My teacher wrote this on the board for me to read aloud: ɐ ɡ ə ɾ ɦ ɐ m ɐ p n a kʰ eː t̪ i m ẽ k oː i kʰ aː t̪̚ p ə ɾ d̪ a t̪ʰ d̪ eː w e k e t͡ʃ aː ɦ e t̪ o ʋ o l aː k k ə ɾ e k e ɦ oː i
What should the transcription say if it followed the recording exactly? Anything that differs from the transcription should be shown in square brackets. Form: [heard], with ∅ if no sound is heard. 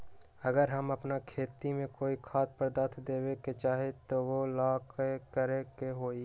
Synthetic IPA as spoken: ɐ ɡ ə ɾ ɦ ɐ m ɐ p n a kʰ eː t̪ i m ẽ k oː i kʰ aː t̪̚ p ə ɾ d̪ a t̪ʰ d̪ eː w e k e t͡ʃ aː ɦ e t̪ o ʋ o l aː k k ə ɾ e k e ɦ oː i